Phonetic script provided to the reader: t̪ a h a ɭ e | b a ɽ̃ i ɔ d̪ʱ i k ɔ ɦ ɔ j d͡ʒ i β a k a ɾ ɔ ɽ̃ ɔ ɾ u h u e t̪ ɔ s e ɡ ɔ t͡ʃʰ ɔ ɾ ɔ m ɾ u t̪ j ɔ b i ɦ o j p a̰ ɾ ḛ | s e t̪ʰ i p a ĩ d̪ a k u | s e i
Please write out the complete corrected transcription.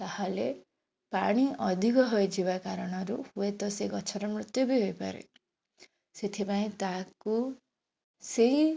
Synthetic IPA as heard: t̪ a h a l e | p a ɽ̃ i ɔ d̪ʱ i k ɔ ɦ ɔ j d͡ʒ i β a k a ɾ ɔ ɽ̃ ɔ ɾ u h u e t̪ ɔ s e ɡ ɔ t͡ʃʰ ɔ ɾ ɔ m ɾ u t̪ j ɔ b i ɦ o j p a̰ ɾ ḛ | s e t̪ʰ i p a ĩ t̪ a k u | s e i